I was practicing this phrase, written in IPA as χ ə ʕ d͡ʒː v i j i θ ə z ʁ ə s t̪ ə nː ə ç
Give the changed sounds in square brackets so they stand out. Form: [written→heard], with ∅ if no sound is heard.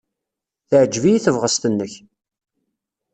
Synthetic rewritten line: [χ→θ] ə ʕ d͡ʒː v i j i θ ə [z→v] ʁ ə s t̪ ə nː ə ç